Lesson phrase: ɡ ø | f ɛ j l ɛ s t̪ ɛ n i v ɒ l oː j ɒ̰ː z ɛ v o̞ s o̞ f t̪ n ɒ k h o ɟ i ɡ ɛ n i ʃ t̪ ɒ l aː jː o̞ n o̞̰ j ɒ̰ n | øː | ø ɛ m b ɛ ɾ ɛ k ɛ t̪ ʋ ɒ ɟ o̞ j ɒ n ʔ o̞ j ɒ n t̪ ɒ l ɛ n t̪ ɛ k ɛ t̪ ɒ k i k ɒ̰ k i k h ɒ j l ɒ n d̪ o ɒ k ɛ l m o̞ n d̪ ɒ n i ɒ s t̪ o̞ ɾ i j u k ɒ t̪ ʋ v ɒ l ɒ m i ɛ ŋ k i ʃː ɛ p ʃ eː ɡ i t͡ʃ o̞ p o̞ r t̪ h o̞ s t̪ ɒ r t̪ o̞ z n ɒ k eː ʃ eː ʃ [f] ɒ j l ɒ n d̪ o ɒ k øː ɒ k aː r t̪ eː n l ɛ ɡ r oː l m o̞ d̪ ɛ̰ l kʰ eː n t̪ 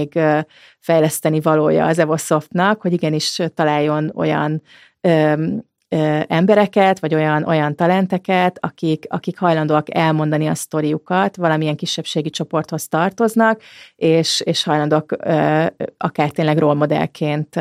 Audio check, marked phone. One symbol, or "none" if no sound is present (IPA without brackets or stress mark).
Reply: h